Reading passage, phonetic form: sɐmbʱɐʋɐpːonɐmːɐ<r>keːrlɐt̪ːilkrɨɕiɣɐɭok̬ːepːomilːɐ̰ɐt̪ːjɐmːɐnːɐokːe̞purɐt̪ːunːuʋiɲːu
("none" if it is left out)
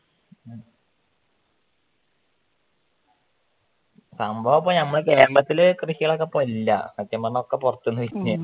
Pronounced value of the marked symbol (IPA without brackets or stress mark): ɭ